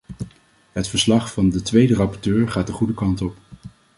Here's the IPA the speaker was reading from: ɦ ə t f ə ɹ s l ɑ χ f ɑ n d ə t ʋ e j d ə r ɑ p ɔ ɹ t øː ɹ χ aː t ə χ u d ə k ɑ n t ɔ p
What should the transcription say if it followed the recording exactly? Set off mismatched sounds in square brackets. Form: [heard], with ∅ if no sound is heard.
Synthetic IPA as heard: ɦ ə t f ə ɹ s l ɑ χ f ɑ n d ə t ʋ e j d ə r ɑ p ɔ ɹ t øː ɹ χ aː t ə χ u d ə k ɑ n t ɔ p